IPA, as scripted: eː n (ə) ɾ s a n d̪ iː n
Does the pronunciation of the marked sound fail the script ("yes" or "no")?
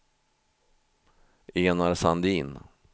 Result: yes